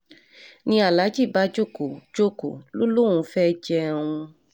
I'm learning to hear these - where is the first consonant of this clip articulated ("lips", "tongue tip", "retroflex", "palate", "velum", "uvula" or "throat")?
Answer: tongue tip